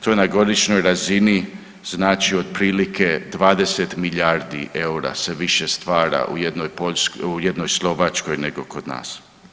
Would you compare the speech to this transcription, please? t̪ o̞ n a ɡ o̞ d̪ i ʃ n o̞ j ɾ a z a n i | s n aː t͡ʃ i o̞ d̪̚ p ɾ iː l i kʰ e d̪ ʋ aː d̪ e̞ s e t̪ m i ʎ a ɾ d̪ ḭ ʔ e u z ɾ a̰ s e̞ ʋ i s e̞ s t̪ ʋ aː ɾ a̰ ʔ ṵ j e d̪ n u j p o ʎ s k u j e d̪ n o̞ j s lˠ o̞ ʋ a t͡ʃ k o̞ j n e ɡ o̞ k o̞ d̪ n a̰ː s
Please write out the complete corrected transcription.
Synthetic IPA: t̪ o̞ n a ɡ o̞ d̪ i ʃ n o̞ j ɾ a z i n i | z n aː t͡ʃ i o̞ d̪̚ p ɾ iː l i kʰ e d̪ ʋ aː d̪ e̞ s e t̪ m i ʎ a ɾ d̪ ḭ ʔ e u ɾ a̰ s e̞ ʋ i ʃ e̞ s t̪ ʋ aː ɾ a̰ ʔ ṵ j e d̪ n o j p o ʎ s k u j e d̪ n o̞ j s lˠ o̞ ʋ a t͡ʃ k o̞ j n e ɡ o̞ k o̞ d̪ n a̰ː s